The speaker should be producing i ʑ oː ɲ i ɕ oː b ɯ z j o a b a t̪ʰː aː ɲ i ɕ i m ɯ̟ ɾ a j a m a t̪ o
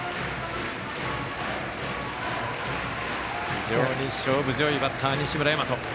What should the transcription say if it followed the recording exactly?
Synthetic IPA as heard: i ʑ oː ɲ i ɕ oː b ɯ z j o i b a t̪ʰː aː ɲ i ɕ i m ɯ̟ ɾ a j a m a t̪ o